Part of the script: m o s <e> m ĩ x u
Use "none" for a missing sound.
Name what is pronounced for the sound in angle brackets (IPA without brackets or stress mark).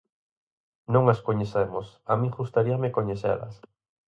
a